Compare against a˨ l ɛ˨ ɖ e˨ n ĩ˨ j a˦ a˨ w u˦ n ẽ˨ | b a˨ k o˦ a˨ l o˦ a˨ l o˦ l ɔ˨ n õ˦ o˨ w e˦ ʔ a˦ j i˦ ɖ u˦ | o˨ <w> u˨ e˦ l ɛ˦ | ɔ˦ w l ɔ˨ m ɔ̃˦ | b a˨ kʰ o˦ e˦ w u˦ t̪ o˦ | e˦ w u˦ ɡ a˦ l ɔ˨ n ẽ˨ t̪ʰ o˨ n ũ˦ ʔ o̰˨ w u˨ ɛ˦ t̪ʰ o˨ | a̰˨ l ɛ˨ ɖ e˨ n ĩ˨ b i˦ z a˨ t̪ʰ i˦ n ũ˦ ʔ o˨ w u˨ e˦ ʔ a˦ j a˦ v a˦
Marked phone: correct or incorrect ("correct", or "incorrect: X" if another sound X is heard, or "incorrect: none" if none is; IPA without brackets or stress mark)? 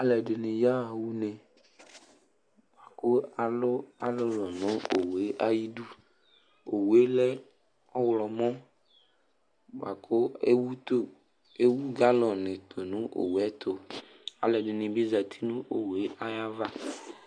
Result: correct